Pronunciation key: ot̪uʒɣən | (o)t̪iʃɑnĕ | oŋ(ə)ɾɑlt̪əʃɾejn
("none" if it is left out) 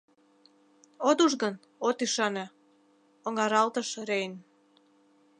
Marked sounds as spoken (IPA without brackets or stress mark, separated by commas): o, ɑ